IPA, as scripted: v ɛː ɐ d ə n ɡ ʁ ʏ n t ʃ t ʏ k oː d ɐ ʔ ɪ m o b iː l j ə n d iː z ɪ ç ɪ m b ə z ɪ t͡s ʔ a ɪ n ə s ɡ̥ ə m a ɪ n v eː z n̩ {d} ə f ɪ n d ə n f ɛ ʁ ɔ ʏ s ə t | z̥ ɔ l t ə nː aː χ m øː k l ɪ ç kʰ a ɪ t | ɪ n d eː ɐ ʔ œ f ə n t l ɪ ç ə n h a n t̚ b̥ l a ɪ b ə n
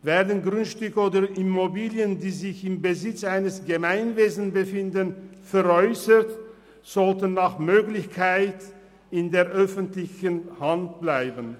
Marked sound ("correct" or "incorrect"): incorrect